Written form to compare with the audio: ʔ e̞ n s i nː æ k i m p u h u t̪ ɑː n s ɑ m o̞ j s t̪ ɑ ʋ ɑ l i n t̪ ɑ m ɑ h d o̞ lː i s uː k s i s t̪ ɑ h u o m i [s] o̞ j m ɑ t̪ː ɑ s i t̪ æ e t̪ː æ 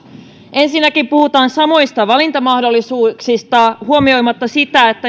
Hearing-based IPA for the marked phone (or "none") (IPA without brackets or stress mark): none